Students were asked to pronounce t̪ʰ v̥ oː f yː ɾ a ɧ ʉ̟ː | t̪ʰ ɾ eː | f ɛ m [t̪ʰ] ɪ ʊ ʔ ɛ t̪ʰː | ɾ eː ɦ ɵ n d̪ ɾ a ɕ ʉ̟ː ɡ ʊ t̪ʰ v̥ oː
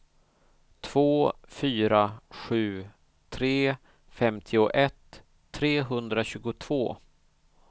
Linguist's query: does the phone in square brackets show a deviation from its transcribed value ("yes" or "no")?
no